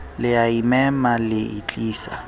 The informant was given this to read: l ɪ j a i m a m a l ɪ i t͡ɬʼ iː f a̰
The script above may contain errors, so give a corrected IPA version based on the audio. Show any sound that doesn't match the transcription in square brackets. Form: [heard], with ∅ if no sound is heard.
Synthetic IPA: l ɪ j a i m [ɛ] m a l ɪ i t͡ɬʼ iː [s] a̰